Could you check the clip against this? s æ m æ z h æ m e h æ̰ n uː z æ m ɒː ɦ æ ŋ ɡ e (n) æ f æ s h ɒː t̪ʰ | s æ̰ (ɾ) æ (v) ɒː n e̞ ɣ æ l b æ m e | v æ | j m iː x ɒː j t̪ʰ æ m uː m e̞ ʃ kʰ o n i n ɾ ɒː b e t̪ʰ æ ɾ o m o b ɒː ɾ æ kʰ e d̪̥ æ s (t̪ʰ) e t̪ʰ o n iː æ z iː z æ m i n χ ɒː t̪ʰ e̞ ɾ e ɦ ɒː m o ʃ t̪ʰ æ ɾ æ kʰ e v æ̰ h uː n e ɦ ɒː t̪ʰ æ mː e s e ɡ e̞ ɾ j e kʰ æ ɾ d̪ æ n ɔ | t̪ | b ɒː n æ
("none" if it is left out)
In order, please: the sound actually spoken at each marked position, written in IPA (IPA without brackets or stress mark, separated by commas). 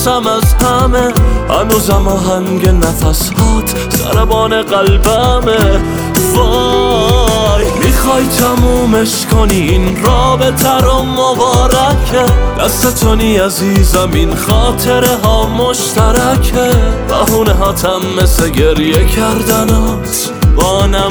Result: n, ɾ, b, t̪